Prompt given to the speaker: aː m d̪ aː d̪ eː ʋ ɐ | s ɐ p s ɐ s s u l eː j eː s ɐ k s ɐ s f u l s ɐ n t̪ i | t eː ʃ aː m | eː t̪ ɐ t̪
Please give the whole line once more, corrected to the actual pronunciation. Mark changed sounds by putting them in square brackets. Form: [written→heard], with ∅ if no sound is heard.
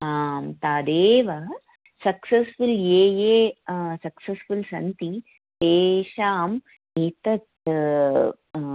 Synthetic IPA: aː m [d̪→t̪] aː d̪ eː ʋ ɐ | s ɐ [p→k] s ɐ s [s→f] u l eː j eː s ɐ k s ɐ s f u l s ɐ n t̪ i | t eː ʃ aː m | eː t̪ ɐ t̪